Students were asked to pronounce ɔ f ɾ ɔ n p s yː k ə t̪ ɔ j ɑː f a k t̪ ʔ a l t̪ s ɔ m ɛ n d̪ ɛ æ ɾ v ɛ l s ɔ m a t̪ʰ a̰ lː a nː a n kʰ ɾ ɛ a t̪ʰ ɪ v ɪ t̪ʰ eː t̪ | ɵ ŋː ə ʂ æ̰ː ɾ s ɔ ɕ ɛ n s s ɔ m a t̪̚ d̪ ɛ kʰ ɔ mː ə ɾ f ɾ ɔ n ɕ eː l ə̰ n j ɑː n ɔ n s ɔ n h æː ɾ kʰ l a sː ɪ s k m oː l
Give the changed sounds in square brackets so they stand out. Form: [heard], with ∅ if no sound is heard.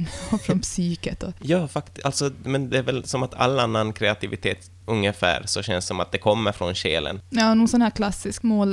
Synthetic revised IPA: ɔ f ɾ ɔ n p s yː k ə t̪ ɔ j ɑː f a k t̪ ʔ a l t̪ s ɔ m ɛ n d̪ ɛ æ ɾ v ɛ l s ɔ m a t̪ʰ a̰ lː a nː a n kʰ ɾ ɛ a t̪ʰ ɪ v ɪ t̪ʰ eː t̪ | ɵ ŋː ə [f] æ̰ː ɾ s ɔ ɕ ɛ n s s ɔ m a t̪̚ d̪ ɛ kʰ ɔ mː ə ɾ f ɾ ɔ n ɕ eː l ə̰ n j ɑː n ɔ n s ɔ n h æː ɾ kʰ l a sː ɪ s k m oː l